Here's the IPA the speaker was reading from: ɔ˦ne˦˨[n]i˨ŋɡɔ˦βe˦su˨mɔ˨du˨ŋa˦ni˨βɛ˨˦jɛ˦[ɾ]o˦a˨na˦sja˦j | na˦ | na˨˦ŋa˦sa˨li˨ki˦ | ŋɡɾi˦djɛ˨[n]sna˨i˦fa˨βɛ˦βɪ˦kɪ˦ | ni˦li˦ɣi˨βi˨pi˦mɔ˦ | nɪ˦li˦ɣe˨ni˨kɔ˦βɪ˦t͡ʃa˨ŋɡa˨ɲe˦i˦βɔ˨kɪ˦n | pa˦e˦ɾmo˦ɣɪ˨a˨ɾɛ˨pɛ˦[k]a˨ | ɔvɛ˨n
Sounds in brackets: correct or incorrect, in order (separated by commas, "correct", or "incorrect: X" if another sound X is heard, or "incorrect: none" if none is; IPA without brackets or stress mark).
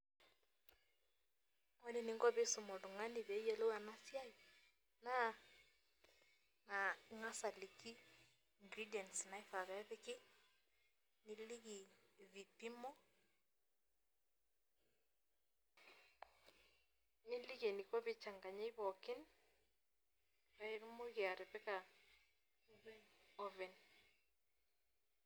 correct, incorrect: l, correct, correct